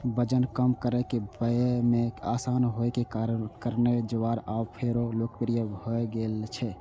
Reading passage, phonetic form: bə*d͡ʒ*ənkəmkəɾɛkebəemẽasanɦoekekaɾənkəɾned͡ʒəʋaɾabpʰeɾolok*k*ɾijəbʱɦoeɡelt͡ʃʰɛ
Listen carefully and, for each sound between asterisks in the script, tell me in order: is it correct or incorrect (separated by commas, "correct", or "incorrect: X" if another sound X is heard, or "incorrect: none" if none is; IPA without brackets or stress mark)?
correct, incorrect: p